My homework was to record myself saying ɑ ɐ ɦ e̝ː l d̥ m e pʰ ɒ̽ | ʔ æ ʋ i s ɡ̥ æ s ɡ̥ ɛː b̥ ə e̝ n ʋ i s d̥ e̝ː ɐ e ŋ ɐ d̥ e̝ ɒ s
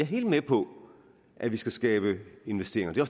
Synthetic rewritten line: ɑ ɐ ɦ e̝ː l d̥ m e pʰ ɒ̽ | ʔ æ ʋ i s ɡ̥ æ s ɡ̥ ɛː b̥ ə e̝ n ʋ e s d̥ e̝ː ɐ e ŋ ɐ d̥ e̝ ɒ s